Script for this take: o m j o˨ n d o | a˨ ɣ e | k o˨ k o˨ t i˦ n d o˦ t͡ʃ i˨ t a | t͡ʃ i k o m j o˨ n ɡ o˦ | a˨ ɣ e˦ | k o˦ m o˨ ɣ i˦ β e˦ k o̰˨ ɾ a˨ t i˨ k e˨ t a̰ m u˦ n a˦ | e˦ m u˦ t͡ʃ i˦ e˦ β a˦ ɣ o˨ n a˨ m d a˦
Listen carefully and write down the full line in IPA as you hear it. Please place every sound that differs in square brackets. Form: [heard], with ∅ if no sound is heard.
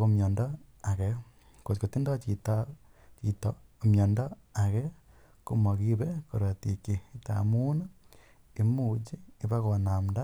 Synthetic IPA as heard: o m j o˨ n d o | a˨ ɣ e | k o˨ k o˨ t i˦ n d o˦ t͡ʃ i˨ t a | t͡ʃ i [t] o m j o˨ n [d] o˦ | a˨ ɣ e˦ | k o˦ m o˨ ɣ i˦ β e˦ k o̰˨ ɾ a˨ t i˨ k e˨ t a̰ m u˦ n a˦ | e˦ m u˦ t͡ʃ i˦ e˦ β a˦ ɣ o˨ n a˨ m d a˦

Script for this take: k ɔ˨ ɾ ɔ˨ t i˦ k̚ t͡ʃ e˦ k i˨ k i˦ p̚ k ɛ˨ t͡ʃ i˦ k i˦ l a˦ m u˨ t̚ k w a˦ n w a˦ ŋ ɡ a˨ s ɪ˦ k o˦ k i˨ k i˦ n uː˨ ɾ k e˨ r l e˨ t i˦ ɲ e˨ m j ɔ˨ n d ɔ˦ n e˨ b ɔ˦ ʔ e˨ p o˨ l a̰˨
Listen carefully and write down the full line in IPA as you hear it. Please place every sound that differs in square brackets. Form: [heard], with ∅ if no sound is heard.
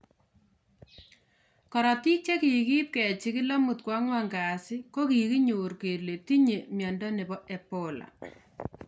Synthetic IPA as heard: k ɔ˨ ɾ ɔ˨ t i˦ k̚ t͡ʃ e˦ k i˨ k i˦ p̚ k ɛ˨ t͡ʃ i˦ k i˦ l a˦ m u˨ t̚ k w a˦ [ŋ] w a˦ ŋ ɡ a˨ s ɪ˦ k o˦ k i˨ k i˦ [ɲ] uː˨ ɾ k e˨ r l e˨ t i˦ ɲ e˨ m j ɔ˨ n d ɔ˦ n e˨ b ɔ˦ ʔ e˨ p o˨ l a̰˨

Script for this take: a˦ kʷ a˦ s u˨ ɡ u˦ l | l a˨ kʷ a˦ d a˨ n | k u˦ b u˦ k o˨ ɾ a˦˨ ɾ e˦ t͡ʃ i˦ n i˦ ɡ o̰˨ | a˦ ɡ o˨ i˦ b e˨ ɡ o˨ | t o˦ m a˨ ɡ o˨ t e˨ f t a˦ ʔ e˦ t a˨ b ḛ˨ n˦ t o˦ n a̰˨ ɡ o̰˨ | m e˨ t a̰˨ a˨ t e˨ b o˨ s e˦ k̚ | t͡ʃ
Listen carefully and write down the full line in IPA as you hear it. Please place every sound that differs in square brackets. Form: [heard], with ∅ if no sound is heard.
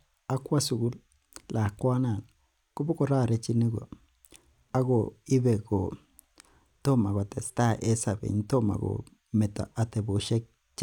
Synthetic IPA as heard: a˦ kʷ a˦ s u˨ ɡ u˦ l | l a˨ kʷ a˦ [n] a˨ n | k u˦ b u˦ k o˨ ɾ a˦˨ ɾ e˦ t͡ʃ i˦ n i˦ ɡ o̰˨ | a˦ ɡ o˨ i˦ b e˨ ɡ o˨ | t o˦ m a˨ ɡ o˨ t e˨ [s] t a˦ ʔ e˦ [s] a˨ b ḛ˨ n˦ t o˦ [m] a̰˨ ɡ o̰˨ | m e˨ t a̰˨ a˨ t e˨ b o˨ [ʃ] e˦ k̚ | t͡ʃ

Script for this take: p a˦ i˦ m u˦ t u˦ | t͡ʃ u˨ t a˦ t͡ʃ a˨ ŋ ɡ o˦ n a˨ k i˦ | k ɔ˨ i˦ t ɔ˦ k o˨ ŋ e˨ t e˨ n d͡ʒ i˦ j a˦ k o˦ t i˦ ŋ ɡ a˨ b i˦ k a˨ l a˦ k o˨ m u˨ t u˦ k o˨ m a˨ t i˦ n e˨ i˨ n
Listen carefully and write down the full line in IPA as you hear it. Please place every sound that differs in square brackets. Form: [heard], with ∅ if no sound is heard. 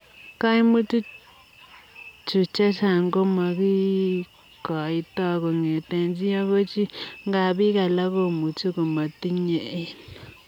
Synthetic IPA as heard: [k] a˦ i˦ m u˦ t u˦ | t͡ʃ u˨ [t͡ʃ] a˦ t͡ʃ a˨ ŋ ɡ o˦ [m] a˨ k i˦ | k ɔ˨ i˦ t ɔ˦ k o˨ ŋ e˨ t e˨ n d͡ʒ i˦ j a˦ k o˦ [t͡ʃ] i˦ ŋ ɡ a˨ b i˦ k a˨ l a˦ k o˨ m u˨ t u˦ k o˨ m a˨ t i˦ [ɲ] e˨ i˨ n

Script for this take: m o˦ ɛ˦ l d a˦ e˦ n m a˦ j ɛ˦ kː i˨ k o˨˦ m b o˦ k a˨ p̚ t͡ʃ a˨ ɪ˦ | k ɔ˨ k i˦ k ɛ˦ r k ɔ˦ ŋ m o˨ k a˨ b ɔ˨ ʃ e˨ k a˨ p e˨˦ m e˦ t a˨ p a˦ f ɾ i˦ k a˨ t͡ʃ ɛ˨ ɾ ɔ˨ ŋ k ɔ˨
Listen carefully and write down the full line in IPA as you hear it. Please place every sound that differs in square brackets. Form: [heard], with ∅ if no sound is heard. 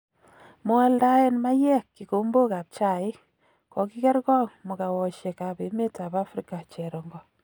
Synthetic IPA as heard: m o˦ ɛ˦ l d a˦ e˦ n m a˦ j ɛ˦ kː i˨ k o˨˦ m b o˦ k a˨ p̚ t͡ʃ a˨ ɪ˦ | k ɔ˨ k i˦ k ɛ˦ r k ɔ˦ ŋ m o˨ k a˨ [w] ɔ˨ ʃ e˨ k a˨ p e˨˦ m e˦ t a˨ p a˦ f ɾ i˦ k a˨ t͡ʃ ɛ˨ ɾ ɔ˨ ŋ [ɡ] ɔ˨

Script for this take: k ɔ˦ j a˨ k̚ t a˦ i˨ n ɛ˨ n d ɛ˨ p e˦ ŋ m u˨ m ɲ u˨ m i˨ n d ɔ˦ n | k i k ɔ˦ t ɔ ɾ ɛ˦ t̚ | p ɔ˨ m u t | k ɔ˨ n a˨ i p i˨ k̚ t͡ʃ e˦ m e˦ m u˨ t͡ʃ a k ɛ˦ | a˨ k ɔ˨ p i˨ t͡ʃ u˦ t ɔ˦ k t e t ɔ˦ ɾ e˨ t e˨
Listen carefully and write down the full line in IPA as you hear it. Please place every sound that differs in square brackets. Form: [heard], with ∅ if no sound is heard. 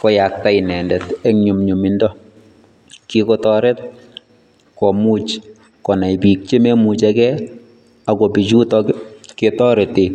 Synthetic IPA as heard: k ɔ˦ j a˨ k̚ t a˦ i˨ n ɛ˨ n d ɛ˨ [t] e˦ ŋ [ɲ] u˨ m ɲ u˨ m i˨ n d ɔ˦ [∅] | k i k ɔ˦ t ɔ ɾ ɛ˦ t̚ | [k] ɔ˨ m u [t͡ʃ] | k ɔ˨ n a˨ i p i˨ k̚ t͡ʃ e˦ m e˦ m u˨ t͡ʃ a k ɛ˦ | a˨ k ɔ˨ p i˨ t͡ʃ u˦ t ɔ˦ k [k] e t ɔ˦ ɾ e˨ t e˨

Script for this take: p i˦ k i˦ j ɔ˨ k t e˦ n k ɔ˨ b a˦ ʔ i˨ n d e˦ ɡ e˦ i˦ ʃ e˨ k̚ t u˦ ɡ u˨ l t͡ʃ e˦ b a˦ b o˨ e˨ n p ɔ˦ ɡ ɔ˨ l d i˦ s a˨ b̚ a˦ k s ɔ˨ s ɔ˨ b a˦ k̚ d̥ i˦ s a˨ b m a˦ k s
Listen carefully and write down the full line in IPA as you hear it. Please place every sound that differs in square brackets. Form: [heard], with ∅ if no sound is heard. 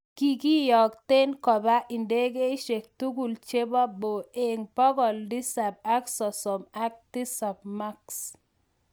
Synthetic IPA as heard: [k] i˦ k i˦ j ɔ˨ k t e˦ n k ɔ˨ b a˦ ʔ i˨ n d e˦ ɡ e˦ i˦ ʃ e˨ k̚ t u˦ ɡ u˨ l t͡ʃ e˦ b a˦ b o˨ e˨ [ŋ] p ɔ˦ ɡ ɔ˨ l d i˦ s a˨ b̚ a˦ k s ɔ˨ s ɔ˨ [m] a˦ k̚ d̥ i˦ s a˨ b m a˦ k s

